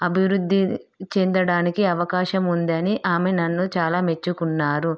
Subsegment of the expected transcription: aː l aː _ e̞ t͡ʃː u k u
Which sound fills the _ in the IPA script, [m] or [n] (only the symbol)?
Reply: m